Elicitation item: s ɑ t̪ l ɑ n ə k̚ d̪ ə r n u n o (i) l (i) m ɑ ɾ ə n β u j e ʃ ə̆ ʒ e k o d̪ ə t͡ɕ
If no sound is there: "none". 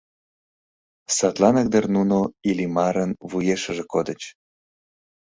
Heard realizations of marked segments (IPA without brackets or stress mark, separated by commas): i, i